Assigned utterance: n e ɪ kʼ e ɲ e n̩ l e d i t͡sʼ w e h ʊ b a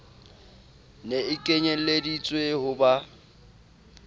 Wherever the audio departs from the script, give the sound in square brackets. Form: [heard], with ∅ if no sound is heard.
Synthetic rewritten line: n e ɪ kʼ e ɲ e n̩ l e d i t͡sʼ w e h ʊ b a